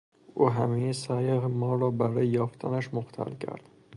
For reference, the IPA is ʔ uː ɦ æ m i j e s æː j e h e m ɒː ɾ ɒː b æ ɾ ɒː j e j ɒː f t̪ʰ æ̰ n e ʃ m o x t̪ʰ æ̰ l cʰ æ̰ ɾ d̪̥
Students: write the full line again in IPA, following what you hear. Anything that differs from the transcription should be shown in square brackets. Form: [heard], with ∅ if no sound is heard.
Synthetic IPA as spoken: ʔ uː ɦ æ m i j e s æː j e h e m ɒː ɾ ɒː b æ ɾ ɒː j e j ɒː f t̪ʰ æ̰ n [æ] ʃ m o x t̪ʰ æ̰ l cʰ æ̰ ɾ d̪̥